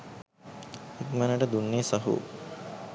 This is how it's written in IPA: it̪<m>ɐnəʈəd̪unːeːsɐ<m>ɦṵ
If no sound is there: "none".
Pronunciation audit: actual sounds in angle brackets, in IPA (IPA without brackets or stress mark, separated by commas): m, none